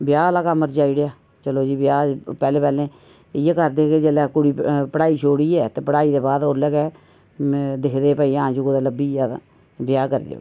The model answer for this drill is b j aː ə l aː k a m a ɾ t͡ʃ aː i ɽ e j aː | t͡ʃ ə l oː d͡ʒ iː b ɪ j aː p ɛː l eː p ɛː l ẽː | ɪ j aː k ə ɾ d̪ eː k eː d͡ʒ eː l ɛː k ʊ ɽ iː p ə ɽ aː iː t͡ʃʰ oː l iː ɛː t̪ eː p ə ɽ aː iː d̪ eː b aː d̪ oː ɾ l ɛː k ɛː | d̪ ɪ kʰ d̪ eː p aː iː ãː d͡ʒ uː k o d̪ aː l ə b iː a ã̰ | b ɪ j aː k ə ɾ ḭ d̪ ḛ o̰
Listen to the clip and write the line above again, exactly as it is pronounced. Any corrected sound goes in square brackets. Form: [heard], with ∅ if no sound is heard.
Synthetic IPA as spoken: b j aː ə l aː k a m [ə] ɾ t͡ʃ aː i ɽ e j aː | t͡ʃ ə l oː d͡ʒ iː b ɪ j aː p ɛː l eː p ɛː l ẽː | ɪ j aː k ə ɾ d̪ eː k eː d͡ʒ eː l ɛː k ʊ ɽ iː p ə ɽ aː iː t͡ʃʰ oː [ɽ] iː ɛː t̪ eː p ə ɽ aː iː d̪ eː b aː d̪ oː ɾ l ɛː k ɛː | d̪ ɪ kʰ d̪ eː p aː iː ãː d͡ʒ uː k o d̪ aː l ə b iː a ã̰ | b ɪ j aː k ə ɾ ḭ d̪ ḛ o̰

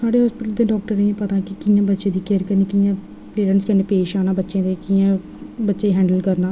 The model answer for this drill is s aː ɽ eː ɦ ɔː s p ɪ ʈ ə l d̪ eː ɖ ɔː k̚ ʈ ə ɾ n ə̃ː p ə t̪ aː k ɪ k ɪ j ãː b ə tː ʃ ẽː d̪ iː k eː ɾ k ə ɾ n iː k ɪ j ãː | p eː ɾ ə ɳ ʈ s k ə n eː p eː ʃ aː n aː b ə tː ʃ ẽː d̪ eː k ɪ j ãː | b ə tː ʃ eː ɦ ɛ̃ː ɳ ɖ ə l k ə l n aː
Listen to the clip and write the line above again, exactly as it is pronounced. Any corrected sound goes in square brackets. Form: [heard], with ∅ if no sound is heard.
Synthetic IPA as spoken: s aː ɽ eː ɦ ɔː s p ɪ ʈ ə l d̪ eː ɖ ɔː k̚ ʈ ə ɾ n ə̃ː p ə t̪ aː k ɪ k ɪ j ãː b ə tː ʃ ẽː d̪ iː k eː ɾ k ə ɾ n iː k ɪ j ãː | p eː ɾ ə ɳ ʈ s k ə n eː p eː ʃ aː n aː b ə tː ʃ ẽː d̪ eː k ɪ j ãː | b ə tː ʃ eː ɦ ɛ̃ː ɳ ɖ ə l k ə [ɾ] n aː

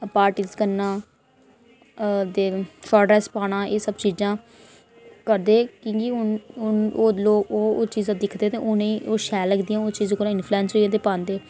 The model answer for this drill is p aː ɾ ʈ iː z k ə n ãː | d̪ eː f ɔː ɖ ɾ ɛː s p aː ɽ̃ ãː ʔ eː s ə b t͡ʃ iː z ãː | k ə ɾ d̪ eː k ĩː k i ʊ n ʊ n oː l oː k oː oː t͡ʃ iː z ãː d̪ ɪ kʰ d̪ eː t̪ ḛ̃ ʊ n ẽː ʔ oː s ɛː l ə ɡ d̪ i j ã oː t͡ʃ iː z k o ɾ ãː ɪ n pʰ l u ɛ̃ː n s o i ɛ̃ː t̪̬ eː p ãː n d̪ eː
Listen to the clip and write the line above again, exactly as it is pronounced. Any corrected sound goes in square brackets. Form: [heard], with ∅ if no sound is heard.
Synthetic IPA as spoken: p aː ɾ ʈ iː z k ə n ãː | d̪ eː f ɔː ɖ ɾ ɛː s p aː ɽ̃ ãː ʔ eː s ə b t͡ʃ iː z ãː | k ə ɾ d̪ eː k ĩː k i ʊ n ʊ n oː l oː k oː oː t͡ʃ iː z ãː d̪ ɪ kʰ d̪ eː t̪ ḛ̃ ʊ n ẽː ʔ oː [ʃ] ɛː l ə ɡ d̪ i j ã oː t͡ʃ iː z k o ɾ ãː ɪ n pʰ l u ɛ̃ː n s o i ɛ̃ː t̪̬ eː p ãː n d̪ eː

